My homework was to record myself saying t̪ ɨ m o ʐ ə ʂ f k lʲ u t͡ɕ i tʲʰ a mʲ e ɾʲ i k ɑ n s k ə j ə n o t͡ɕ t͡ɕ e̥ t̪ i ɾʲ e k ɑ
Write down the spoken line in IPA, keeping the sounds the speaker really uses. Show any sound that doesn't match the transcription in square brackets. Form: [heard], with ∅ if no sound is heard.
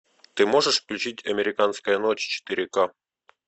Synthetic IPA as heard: t̪ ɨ m o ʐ ə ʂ f k lʲ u t͡ɕ i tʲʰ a mʲ e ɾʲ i k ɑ n s k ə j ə n o t͡ɕ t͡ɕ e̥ t̪ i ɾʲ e k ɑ